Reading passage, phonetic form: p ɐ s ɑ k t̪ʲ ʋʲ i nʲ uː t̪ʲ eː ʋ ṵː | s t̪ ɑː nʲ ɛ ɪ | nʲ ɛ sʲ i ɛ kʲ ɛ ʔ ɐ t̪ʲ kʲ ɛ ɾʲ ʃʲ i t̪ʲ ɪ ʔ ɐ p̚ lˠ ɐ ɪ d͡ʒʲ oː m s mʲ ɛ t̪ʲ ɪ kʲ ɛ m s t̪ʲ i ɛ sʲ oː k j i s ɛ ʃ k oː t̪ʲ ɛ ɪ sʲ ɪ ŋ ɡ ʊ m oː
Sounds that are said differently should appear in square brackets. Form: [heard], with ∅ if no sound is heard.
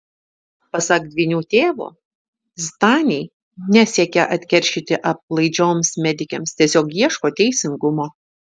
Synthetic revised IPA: p ɐ s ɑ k [d̪ʲ] ʋʲ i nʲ uː t̪ʲ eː ʋ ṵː | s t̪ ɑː nʲ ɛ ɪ | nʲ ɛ sʲ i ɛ kʲ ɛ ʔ ɐ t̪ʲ kʲ ɛ ɾʲ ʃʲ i t̪ʲ ɪ ʔ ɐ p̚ lˠ ɐ ɪ d͡ʒʲ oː m s mʲ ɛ [d̪ʲ] ɪ kʲ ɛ m s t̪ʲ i ɛ sʲ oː k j i [∅] ɛ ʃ k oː t̪ʲ ɛ ɪ sʲ ɪ ŋ ɡ ʊ m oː